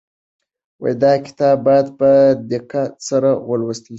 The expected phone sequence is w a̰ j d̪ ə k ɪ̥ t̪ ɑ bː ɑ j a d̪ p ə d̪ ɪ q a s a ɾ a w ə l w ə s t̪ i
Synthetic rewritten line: w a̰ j d̪ ɑ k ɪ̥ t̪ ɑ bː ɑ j a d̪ p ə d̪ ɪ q a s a ɾ a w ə l w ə s t̪ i